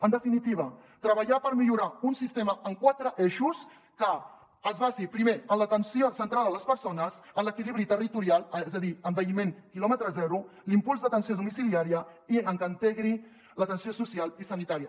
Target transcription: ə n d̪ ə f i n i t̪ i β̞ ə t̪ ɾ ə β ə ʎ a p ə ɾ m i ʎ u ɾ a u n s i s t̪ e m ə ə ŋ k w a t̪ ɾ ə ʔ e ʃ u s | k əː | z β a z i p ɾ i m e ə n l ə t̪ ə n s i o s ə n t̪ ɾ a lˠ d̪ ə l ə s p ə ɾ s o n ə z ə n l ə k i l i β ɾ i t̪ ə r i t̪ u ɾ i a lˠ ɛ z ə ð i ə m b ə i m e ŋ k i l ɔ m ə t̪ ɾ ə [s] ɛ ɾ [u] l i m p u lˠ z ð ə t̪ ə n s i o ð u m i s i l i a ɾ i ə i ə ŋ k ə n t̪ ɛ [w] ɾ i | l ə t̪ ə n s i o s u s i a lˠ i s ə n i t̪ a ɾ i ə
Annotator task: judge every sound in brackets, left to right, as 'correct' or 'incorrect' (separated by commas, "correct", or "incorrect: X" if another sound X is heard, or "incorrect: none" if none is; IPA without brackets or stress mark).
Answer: incorrect: z, correct, incorrect: ɣ